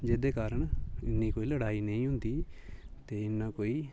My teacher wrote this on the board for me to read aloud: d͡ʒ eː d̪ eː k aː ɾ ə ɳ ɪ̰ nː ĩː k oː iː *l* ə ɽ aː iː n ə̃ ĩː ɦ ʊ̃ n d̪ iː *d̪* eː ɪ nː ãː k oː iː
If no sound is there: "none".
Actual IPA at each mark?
l, t̪

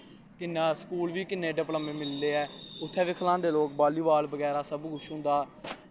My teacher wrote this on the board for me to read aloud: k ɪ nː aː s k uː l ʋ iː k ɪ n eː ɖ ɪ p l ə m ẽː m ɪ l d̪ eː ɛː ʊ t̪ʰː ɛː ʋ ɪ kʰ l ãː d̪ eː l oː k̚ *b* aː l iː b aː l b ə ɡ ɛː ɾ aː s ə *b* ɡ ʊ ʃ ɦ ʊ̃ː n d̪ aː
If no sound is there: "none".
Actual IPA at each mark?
b, b

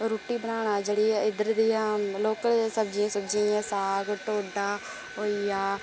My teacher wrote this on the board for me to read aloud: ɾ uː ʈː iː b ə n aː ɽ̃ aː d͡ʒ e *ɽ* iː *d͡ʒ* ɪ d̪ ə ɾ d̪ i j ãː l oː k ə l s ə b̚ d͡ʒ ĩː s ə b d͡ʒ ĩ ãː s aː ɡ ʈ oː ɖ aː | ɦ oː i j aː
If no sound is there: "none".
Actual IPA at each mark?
ɽ, none

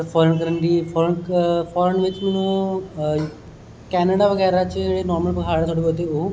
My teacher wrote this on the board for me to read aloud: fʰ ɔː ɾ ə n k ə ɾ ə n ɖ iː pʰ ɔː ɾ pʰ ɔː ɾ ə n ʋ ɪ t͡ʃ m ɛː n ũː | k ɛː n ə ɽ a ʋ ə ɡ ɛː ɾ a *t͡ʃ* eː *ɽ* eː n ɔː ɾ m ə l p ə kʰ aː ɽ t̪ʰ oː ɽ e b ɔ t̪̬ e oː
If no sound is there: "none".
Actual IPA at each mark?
t͡ʃ, ɽ

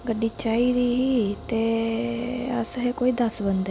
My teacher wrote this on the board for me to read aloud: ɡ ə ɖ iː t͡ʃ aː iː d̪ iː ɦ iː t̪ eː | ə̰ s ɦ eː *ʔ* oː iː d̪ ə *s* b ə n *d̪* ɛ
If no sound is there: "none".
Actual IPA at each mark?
k, s, d̪

